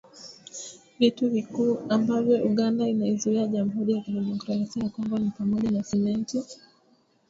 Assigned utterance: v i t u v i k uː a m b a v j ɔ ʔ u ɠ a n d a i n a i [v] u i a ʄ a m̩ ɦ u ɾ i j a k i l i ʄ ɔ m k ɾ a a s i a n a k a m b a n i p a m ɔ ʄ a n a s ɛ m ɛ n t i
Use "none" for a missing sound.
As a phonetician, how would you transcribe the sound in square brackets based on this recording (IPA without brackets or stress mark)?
z